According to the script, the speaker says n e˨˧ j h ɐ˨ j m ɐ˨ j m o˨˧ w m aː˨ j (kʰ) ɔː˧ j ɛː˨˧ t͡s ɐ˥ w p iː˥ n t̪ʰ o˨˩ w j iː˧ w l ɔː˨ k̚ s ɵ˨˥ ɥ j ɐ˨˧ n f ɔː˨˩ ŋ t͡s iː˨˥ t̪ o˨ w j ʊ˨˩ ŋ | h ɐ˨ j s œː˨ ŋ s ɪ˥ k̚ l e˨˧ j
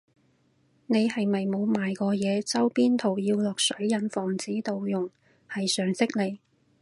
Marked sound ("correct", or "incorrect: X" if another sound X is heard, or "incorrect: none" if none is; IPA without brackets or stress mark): incorrect: k